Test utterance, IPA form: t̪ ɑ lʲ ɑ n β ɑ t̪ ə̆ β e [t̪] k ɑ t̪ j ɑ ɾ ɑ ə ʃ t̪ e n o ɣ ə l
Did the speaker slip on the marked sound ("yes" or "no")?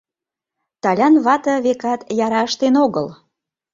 yes